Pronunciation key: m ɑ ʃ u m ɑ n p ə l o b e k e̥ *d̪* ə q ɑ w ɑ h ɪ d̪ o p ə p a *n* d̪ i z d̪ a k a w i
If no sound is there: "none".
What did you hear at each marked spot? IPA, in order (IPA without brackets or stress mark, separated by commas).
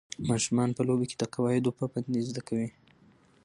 d̪, n